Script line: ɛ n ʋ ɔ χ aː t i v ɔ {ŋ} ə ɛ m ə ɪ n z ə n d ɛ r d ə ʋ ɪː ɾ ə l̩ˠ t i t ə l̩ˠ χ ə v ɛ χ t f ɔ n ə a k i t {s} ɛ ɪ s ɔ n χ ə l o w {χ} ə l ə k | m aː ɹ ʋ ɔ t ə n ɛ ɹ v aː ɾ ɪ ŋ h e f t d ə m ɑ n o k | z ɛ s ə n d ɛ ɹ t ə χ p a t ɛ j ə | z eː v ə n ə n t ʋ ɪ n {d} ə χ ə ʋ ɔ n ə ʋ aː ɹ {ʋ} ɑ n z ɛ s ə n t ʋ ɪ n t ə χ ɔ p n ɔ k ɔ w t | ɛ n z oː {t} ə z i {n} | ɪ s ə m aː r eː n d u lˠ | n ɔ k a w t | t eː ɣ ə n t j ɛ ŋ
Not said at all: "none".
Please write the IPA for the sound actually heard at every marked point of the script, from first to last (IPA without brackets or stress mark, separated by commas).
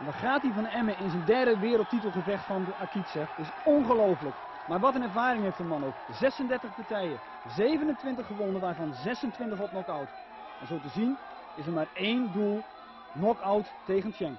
n, s, f, t, v, t, n